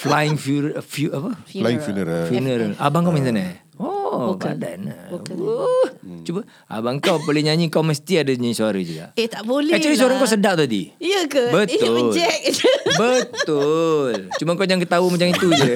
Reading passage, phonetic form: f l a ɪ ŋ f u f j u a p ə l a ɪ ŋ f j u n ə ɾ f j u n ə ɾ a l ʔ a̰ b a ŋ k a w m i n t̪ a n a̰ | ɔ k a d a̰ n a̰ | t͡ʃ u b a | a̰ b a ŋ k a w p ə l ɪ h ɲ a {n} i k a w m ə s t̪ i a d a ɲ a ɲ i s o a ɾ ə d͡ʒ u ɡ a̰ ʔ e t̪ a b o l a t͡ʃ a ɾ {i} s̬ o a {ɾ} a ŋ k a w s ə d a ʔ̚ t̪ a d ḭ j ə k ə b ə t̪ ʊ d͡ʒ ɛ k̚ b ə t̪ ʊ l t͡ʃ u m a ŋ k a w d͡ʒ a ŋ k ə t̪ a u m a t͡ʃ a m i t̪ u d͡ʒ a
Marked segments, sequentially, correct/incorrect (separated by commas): incorrect, correct, correct